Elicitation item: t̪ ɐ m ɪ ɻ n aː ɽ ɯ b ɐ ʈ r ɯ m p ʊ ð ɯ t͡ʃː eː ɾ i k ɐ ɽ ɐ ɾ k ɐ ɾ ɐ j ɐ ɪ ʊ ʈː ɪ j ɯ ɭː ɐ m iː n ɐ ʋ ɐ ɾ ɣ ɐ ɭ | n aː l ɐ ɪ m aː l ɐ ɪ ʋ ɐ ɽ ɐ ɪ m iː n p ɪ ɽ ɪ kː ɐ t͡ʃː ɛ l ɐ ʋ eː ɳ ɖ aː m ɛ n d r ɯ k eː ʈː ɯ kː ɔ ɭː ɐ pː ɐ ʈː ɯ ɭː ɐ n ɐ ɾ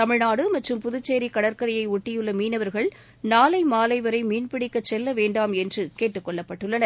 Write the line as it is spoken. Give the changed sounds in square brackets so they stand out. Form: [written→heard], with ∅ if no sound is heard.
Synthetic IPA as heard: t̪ ɐ m ɪ ɻ n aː ɽ ɯ [b→m] ɐ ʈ r ɯ m p ʊ ð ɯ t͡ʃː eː ɾ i k ɐ ɽ ɐ ɾ k ɐ ɾ ɐ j ɐ ɪ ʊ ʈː ɪ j ɯ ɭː ɐ m iː n ɐ ʋ ɐ ɾ ɣ ɐ ɭ | n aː l ɐ ɪ m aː l ɐ ɪ ʋ ɐ [ɽ→ɾ] ɐ ɪ m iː n p ɪ ɽ ɪ kː ɐ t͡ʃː ɛ [l→lː] ɐ ʋ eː ɳ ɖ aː m ɛ n d r ɯ k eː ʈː ɯ kː ɔ ɭː ɐ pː ɐ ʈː ɯ ɭː ɐ n ɐ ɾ